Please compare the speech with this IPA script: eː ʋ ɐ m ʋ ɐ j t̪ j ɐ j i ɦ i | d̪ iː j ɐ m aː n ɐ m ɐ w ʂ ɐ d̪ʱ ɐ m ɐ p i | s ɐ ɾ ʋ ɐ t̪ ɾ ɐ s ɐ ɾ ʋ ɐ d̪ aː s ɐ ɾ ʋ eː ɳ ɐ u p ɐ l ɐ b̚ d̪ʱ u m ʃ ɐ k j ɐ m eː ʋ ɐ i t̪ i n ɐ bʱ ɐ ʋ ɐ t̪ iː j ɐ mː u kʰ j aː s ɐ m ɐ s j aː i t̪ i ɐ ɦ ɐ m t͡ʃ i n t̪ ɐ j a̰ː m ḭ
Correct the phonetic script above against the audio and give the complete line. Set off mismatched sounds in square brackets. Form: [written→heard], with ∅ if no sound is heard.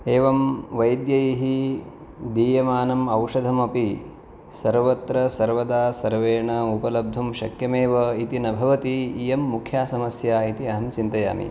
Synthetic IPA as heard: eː ʋ ɐ m ʋ ɐ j [t̪→d̪] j ɐ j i ɦ i | d̪ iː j ɐ m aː n ɐ m ɐ w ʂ ɐ d̪ʱ ɐ m ɐ p i | s ɐ ɾ ʋ ɐ t̪ ɾ ɐ s ɐ ɾ ʋ ɐ d̪ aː s ɐ ɾ ʋ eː ɳ ɐ u p ɐ l ɐ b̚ d̪ʱ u m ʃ ɐ k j ɐ m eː ʋ ɐ i t̪ i n ɐ bʱ ɐ ʋ ɐ t̪ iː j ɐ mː u kʰ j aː s ɐ m ɐ s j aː i t̪ i ɐ ɦ ɐ m t͡ʃ i n t̪ ɐ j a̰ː m ḭ